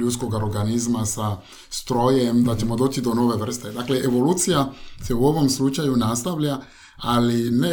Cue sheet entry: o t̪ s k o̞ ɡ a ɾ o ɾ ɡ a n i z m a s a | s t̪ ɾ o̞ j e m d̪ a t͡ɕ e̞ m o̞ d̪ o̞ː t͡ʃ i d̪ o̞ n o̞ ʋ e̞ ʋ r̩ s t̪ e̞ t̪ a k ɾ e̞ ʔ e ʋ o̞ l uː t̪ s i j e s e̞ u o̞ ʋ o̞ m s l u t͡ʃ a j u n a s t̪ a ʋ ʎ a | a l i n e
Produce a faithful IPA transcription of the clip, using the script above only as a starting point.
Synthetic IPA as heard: u t̪ s k o̞ ɡ a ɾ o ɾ ɡ a n i z m a s a | s t̪ ɾ o̞ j e m d̪ a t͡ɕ e̞ m o̞ d̪ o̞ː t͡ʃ i d̪ o̞ n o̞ ʋ e̞ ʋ r̩ s t̪ e̞ d̪ a k l e̞ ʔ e ʋ o̞ l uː t̪ s i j a s e̞ u o̞ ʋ o̞ m s l u t͡ʃ a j u n a s t̪ a ʋ ʎ a | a l i n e